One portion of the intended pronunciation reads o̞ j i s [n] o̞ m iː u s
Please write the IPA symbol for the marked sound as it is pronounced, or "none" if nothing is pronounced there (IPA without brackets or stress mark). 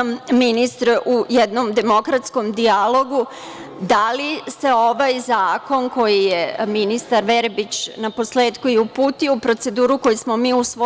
m